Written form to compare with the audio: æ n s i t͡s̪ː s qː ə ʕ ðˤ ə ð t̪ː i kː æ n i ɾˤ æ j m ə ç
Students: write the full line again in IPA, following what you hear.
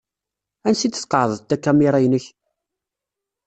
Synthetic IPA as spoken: æ n s i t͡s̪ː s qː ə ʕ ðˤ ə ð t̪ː æ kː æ m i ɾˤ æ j n ə ç